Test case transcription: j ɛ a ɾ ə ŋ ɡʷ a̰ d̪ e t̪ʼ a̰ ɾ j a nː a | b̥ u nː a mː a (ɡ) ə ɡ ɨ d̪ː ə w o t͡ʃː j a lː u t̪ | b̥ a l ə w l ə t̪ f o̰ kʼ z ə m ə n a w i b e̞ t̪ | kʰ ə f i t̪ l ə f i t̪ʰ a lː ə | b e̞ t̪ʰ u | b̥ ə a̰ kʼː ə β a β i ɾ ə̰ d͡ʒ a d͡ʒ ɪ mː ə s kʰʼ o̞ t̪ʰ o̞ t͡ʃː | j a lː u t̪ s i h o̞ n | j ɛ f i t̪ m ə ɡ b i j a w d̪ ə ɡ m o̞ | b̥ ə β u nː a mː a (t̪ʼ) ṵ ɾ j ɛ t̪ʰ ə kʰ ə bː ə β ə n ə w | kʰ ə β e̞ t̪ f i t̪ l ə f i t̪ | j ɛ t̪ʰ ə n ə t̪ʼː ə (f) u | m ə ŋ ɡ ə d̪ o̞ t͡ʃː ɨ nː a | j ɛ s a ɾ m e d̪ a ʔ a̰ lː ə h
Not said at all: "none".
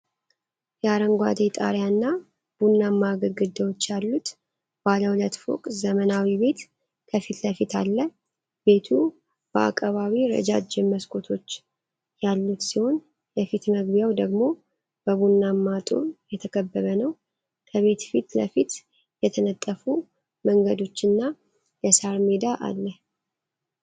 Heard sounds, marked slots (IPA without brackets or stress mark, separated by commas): ɡ, t̪ʼ, f